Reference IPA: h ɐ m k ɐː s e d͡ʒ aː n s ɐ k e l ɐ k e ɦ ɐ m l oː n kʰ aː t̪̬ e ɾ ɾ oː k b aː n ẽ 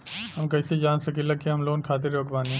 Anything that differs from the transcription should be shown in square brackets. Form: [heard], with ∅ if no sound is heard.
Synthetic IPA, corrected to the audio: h ɐ m k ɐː s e d͡ʒ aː n s ɐ k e l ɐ k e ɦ ɐ m l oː n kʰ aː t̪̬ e ɾ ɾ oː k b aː n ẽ